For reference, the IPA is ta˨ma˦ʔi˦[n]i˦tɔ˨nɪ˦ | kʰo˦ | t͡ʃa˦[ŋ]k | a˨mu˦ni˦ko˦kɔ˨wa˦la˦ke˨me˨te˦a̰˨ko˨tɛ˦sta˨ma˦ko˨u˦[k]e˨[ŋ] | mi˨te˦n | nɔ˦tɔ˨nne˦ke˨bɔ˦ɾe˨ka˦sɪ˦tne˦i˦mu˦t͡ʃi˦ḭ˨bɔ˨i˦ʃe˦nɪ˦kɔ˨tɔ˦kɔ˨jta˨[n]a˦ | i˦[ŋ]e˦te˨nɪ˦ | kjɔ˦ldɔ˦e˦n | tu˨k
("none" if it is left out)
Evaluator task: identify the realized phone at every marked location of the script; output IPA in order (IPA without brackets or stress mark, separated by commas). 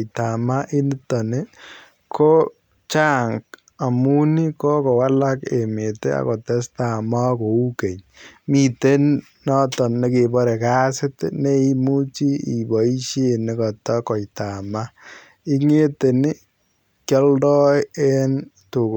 n, ŋ, k, ɲ, m, ŋ